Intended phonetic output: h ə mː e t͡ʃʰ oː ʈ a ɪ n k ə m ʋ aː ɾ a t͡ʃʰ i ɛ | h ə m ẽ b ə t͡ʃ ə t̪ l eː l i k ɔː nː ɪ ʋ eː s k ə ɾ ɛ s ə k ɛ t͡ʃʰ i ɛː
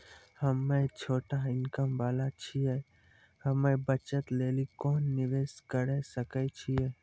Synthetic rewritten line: h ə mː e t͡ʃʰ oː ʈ a ɪ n k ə m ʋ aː l a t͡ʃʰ i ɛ | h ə m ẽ b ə t͡ʃ ə t̪ l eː l i k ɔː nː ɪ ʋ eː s k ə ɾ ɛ s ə k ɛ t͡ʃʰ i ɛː